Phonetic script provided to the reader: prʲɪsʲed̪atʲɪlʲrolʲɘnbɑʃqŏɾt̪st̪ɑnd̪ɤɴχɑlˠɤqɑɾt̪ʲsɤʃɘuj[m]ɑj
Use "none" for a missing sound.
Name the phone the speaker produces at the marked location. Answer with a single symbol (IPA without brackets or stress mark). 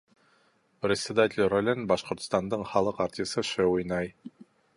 n